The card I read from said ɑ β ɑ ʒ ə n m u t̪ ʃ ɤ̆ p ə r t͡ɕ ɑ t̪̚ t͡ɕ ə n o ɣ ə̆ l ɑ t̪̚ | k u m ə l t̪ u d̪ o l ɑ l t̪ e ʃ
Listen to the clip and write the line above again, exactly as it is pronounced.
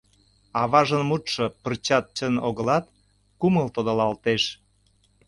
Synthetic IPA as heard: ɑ β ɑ ʒ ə n m u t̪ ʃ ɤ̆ p ə r t͡ɕ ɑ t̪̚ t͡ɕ ə n o ɣ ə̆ l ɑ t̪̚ | k u m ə l t̪ o d̪ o l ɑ l t̪ e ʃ